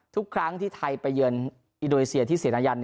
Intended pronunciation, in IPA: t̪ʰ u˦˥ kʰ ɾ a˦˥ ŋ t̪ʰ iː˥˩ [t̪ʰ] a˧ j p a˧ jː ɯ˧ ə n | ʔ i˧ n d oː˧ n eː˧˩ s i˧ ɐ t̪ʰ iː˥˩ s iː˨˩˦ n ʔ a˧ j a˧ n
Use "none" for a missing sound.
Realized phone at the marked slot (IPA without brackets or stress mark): t̪ʰ